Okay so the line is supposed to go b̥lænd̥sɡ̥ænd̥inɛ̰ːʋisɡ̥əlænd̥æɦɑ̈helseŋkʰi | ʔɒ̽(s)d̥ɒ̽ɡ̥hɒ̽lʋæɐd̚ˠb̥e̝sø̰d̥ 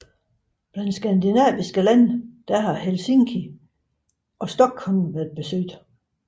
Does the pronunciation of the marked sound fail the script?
no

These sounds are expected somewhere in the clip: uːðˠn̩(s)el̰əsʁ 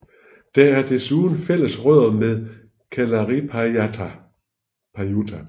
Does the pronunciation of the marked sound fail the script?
yes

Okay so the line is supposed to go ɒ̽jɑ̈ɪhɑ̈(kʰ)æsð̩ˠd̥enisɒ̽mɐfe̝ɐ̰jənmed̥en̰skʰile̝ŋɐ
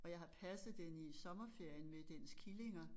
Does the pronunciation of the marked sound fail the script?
yes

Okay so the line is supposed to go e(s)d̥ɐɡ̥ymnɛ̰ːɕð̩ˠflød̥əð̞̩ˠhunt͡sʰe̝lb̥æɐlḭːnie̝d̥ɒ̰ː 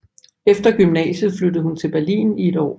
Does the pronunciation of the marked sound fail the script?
yes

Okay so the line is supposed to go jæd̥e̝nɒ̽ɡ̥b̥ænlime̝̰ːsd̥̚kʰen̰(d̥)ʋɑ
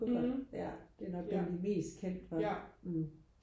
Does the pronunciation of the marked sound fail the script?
no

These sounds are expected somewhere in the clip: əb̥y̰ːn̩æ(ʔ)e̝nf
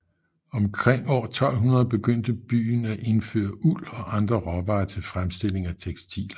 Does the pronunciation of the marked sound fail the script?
no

